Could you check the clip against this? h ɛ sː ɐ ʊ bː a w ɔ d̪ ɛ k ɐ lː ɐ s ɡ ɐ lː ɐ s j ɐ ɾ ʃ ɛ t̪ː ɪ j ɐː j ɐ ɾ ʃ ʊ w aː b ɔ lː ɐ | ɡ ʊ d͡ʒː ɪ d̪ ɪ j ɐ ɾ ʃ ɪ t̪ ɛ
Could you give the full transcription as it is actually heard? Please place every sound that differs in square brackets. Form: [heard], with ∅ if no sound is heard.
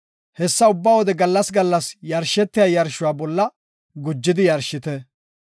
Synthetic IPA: h ɛ sː ɐ ʊ bː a w ɔ d̪ ɛ [ɡ] ɐ lː ɐ s ɡ ɐ lː ɐ s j ɐ ɾ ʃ ɛ t̪ː ɪ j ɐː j ɐ ɾ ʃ ʊ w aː b ɔ lː ɐ | ɡ ʊ d͡ʒː ɪ d̪ ɪ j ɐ ɾ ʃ ɪ t̪ ɛ

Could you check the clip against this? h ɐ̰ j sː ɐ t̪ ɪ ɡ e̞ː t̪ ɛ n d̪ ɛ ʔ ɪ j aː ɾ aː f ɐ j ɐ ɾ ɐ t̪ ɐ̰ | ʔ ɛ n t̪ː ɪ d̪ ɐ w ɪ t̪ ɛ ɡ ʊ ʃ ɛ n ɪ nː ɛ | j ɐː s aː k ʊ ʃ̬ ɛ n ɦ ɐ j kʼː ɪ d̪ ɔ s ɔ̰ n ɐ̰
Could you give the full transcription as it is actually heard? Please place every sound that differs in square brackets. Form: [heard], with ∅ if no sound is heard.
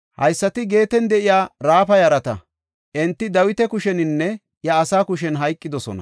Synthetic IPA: h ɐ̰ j sː ɐ t̪ ɪ ɡ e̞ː t̪ ɛ n d̪ ɛ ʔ ɪ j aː ɾ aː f ɐ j ɐ ɾ ɐ t̪ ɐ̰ | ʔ ɛ n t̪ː ɪ d̪ ɐ w ɪ t̪ ɛ [k] ʊ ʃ ɛ n ɪ nː ɛ | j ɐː s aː k ʊ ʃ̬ ɛ n ɦ ɐ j kʼː ɪ d̪ ɔ s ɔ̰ n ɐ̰

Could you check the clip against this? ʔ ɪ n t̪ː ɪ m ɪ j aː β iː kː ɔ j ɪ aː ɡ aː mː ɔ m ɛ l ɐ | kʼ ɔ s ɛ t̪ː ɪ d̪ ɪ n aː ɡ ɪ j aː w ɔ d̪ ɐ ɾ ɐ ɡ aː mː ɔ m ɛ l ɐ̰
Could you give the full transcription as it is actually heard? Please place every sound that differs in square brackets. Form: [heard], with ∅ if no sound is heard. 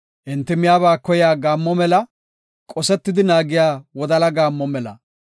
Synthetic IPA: ʔ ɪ n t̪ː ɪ m ɪ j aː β [aː] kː ɔ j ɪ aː ɡ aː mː ɔ m ɛ l ɐ | kʼ ɔ s ɛ t̪ː ɪ d̪ ɪ n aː ɡ ɪ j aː w ɔ d̪ ɐ [l] ɐ ɡ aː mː ɔ m ɛ l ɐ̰

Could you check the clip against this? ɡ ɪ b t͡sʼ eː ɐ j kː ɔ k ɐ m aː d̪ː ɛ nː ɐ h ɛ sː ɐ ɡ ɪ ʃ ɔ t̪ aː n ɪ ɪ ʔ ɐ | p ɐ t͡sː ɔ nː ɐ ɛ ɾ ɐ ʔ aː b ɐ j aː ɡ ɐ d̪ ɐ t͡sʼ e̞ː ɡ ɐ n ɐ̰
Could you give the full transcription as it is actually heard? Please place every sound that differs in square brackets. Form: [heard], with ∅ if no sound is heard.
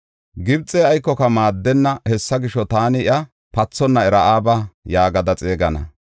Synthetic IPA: ɡ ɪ b t͡sʼ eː ɐ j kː ɔ k ɐ m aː d̪ː ɛ nː ɐ h ɛ sː ɐ ɡ ɪ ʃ ɔ t̪ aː n ɪ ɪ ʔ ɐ | p ɐ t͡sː ɔ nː ɐ ɛ ɾ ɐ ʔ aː b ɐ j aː ɡ ɐ d̪ ɐ t͡sʼ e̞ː ɡ ɐ n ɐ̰

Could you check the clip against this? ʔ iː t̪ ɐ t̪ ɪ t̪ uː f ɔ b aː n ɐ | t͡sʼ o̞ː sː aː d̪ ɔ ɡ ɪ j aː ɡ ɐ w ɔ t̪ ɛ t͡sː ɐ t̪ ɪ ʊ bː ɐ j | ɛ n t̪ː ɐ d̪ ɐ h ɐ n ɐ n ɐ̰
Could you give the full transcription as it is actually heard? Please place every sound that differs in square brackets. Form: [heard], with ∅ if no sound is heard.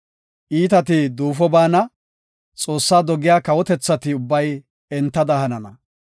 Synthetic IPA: ʔ iː t̪ ɐ t̪ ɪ [d̪] uː f ɔ b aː n ɐ | t͡sʼ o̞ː sː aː d̪ ɔ ɡ ɪ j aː [k] ɐ w ɔ t̪ ɛ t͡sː ɐ t̪ ɪ ʊ bː ɐ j | ɛ n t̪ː ɐ d̪ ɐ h ɐ n ɐ n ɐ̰

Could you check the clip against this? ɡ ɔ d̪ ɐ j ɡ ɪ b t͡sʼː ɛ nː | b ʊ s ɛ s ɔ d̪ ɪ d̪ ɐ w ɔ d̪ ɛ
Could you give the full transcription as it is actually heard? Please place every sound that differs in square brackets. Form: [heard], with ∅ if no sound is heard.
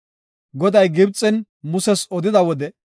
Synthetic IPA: ɡ ɔ d̪ ɐ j ɡ ɪ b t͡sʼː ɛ [n] | [m] ʊ s ɛ s ɔ d̪ ɪ d̪ ɐ w ɔ d̪ ɛ

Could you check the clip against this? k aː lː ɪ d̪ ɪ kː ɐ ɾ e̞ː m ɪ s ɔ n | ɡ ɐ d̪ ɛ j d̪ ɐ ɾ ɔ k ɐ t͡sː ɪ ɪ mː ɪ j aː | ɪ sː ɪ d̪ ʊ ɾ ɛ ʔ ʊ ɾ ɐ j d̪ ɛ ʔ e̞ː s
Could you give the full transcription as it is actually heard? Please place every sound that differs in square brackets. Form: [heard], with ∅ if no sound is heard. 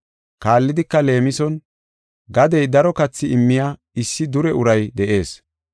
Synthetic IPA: k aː lː ɪ d̪ ɪ kː ɐ [l] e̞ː m ɪ s ɔ n | ɡ ɐ d̪ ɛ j d̪ ɐ ɾ ɔ k ɐ t͡sː ɪ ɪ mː ɪ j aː | ɪ sː ɪ d̪ ʊ ɾ ɛ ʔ ʊ ɾ ɐ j d̪ ɛ ʔ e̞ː s

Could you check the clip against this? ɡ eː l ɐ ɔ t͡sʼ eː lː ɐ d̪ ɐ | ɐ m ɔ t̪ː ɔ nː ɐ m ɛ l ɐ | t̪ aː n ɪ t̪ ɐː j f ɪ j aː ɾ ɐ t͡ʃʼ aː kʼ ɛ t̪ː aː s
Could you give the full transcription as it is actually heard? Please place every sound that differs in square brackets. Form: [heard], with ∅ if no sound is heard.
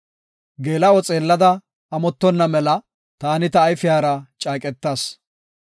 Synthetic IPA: ɡ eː l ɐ ɔ t͡sʼ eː lː ɐ d̪ ɐ | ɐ m ɔ t̪ː ɔ nː ɐ m ɛ l ɐ | t̪ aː n ɪ t̪ ɐː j f ɪ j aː ɾ ɐ t͡ʃʼ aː kʼ ɛ t̪ː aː s

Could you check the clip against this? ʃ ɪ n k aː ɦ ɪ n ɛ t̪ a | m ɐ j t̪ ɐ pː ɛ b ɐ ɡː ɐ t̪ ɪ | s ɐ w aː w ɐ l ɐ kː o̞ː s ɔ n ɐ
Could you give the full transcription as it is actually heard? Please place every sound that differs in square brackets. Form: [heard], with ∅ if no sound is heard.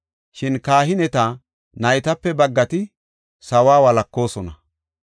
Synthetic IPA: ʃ ɪ n k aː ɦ ɪ n ɛ t̪ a | [n] ɐ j t̪ ɐ pː ɛ b ɐ ɡː ɐ t̪ ɪ | s ɐ w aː w ɐ l ɐ kː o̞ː s ɔ n ɐ

